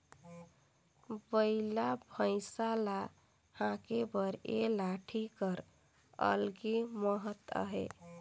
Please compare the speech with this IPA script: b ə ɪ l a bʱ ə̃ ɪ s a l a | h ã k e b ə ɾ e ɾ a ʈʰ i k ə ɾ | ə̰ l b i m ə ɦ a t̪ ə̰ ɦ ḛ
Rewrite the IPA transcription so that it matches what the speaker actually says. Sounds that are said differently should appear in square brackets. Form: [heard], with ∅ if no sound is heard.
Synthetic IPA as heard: b ə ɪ l a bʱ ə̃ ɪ s a l a | h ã k e b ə ɾ e [l] a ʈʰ i k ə ɾ | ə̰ l [ɡ] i m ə ɦ [ə] t̪ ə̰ ɦ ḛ